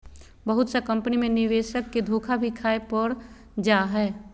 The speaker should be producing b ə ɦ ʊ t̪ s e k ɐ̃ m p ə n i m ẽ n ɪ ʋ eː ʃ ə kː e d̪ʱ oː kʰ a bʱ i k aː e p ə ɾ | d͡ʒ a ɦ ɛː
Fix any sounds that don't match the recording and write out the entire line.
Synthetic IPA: b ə ɦ ʊ t̪ s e k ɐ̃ m p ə n i m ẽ n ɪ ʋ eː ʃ ə kː e d̪ʱ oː kʰ a bʱ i kʰ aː e p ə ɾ | d͡ʒ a ɦ ɛː

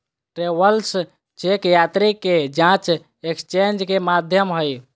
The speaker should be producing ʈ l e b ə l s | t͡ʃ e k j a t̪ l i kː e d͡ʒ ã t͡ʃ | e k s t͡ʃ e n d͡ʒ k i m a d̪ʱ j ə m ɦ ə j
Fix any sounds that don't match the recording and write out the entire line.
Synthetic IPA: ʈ ɾ e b ə l s | t͡ʃ e k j a t̪ ɾ i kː e d͡ʒ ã t͡ʃ | e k s t͡ʃ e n d͡ʒ k e m a d̪ʱ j ə m ɦ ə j

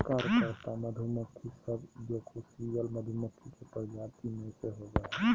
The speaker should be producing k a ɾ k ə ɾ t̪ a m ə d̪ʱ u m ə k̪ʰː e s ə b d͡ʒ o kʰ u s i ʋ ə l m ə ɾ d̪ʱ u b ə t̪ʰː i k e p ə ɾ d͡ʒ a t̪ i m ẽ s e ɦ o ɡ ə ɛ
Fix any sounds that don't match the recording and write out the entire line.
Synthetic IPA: k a ɾ k ə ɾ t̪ a m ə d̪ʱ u m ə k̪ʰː i s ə b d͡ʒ o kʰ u s i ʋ ə l m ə d̪ʱ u m ə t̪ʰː i k e p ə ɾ d͡ʒ a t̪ i m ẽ s e ɦ o ɡ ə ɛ

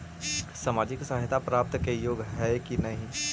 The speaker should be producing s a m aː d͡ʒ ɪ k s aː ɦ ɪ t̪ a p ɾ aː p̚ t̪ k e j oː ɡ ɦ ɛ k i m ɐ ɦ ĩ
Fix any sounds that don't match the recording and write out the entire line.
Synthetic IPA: s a m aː d͡ʒ ɪ k s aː ɦ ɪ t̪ a p ɾ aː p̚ t̪ k e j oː ɡ ɦ ɛ k i n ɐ ɦ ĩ

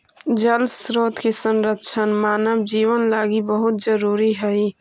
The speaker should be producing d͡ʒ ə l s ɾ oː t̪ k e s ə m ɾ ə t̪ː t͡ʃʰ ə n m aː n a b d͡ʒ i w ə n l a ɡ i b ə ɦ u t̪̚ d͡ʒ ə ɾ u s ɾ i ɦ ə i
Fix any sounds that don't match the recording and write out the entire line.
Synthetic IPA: d͡ʒ ə l s ɾ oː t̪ k e s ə n ɾ ə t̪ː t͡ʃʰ ə n m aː n ə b d͡ʒ i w ə n l a ɡ i b ə ɦ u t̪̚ d͡ʒ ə ɾ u ɾ i ɦ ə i

